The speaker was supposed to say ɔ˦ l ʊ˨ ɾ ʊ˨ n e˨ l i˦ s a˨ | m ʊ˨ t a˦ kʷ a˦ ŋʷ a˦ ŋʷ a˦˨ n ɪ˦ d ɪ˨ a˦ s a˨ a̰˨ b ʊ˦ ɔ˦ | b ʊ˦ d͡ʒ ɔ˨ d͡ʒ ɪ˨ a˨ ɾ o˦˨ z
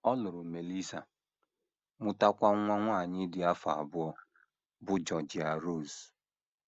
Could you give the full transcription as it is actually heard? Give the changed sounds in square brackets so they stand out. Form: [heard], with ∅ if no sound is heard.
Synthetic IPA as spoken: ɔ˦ l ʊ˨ ɾ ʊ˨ [m] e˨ l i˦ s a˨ | m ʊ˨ t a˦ kʷ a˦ ŋʷ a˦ ŋʷ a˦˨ [ɲ] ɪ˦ d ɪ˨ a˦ [f] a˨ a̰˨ b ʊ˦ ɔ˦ | b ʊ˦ d͡ʒ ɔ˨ d͡ʒ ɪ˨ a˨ ɾ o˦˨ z